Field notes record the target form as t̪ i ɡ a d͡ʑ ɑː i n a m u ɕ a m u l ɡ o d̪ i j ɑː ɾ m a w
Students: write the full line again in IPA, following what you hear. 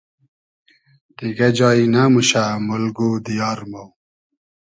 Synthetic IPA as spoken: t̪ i ɡ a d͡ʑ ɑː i n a m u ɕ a m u l ɡ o d̪ i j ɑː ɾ m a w